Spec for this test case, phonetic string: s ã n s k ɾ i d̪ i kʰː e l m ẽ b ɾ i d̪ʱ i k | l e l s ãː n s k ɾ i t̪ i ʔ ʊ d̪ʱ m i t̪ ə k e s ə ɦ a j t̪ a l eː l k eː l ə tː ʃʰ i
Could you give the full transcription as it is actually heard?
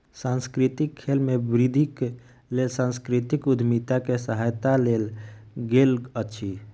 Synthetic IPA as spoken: s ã n s k ɾ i t̪ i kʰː e l m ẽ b ɾ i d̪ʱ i k | l e l s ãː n s k ɾ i t̪ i k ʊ d̪ʱ m i t̪ a k e s ə ɦ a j t̪ a l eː l ɡ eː l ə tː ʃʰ i